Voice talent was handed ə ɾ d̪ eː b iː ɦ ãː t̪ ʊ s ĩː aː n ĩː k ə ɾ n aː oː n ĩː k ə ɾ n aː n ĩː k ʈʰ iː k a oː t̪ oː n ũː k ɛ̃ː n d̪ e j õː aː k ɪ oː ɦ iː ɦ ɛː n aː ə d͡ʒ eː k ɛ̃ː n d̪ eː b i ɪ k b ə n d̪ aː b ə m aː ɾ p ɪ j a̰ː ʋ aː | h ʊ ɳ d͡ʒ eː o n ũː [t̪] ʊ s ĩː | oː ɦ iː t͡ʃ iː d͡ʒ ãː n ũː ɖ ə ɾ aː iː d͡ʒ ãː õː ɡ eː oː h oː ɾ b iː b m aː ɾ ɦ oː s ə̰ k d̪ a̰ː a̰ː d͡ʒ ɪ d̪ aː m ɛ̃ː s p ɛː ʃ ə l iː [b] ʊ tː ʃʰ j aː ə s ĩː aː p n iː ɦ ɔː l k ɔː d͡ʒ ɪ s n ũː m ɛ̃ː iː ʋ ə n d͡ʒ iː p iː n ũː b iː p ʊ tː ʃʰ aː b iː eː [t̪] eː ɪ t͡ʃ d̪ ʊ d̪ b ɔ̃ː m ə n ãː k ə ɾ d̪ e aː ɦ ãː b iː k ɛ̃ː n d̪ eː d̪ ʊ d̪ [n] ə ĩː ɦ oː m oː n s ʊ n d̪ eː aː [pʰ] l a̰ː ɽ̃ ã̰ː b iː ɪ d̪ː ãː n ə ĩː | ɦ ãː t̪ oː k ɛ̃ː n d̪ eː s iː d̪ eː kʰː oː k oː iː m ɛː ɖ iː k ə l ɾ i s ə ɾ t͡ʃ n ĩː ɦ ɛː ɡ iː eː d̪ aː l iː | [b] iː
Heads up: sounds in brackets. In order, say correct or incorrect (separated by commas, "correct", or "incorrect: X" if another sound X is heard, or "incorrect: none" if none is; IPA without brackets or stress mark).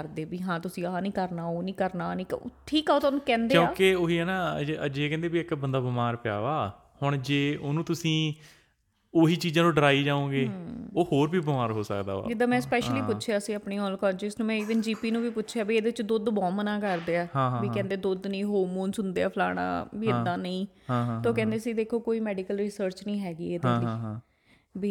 correct, incorrect: p, incorrect: d̪, correct, correct, correct